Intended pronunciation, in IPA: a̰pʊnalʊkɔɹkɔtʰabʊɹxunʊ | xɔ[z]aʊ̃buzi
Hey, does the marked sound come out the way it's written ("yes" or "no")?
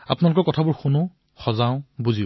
yes